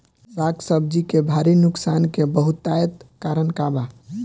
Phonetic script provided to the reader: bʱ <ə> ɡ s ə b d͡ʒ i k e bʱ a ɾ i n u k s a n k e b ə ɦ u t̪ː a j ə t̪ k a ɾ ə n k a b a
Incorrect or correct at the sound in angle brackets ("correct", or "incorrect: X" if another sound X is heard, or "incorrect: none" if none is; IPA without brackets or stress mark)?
incorrect: a